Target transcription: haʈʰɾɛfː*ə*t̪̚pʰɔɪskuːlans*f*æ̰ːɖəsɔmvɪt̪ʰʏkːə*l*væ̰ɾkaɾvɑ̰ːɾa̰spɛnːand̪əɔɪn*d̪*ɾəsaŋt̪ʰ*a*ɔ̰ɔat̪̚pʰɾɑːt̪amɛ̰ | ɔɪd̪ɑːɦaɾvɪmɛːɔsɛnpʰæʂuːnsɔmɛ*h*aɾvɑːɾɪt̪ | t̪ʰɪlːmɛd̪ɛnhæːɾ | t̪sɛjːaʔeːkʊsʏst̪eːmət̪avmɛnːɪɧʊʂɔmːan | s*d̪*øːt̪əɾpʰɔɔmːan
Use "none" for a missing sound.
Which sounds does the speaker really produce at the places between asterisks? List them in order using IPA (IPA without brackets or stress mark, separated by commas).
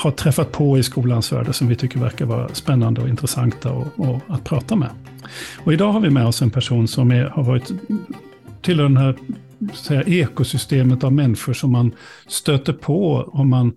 a, v, ɾ, t̪, a, h, t̪